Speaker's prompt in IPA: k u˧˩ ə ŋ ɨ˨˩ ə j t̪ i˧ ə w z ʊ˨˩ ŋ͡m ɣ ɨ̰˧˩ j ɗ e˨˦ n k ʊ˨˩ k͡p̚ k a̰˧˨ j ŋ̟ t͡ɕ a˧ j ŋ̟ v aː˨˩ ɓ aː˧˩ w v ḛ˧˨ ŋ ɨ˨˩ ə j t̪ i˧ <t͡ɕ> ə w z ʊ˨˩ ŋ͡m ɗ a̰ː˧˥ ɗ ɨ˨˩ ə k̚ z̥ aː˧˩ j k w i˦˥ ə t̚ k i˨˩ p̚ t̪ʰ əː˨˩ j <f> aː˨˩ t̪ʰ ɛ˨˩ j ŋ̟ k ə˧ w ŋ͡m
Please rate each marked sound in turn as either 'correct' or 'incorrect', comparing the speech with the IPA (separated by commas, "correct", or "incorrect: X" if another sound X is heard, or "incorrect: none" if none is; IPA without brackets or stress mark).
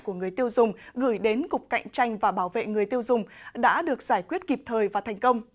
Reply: incorrect: none, incorrect: v